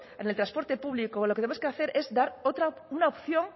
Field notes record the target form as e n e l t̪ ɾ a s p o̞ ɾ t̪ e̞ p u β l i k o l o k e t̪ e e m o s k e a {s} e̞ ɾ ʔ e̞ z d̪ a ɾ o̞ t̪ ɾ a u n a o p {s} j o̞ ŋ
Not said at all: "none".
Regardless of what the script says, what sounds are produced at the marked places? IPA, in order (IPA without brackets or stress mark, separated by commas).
θ, θ